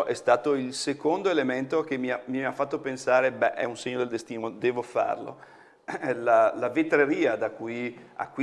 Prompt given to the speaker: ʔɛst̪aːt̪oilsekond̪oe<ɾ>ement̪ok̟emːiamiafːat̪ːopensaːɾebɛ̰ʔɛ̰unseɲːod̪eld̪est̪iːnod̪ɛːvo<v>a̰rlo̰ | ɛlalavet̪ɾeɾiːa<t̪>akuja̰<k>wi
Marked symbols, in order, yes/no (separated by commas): no, no, no, yes